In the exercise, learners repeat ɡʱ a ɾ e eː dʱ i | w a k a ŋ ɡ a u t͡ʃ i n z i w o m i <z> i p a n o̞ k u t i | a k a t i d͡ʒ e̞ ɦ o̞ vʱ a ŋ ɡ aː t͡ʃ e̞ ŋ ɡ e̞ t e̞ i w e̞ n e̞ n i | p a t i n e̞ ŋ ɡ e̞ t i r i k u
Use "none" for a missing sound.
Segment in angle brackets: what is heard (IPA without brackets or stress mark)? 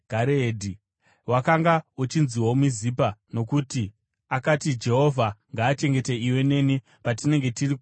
z